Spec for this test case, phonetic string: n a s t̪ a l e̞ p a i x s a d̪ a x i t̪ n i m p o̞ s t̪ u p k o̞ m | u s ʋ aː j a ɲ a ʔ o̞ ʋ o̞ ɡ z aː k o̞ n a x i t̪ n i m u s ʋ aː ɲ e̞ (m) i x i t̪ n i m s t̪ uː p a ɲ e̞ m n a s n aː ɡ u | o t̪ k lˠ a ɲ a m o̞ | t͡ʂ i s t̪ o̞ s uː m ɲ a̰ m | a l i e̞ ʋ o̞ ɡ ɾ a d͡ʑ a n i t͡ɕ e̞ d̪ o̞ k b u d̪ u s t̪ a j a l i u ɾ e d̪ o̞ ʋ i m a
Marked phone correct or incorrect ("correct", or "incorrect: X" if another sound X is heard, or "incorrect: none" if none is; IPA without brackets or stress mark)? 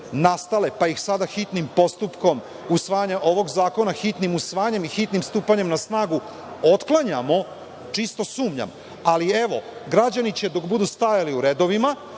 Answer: correct